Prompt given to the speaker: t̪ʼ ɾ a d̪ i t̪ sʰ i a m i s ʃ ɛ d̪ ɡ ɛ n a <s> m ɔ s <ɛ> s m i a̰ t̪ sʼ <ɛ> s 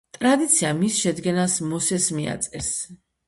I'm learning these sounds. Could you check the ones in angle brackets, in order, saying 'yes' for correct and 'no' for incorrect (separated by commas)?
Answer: yes, yes, yes